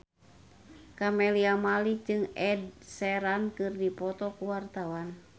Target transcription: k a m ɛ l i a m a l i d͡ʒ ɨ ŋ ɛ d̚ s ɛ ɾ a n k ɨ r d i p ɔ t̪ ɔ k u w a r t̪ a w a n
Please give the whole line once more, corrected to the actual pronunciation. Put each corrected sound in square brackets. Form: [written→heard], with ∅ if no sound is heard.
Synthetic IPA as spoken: k a m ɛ l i a m a l i d͡ʒ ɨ ŋ ɛ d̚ s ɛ ɾ a n k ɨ r d i p ɔ t̪ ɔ k u w a r t̪ a w a n